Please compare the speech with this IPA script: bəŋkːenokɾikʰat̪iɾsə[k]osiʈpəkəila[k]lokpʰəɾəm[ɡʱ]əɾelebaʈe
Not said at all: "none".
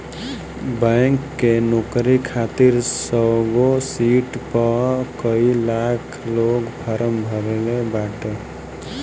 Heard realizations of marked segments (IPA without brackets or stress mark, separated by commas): ɡ, kʰ, bʱ